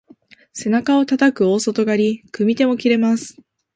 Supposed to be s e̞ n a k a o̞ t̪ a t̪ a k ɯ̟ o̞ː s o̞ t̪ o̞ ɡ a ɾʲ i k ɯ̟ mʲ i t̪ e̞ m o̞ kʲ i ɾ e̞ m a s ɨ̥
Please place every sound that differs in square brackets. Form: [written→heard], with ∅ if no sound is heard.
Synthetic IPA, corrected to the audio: s e̞ n a k a o̞ t̪ a t̪ a k ɯ̟ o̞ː s o̞ t̪ o̞ ɡ a ɾʲ i k ɯ̟ mʲ i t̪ e̞ m o̞ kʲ i ɾ e̞ m a s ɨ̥